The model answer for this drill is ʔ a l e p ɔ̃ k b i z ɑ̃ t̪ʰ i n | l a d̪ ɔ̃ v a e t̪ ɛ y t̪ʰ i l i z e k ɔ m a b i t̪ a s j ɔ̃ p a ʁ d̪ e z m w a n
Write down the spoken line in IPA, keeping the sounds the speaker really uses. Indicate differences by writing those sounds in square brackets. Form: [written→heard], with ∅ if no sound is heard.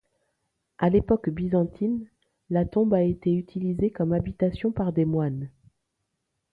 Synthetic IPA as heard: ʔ a l e p [ɔ̃→ɔ] k b i z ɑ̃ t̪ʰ i n | l a [d̪→t̪] ɔ̃ [v→b] a e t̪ [ɛ→e] y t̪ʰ i l i z e k ɔ m a b i t̪ a s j ɔ̃ p a ʁ d̪ e [z→∅] m w a n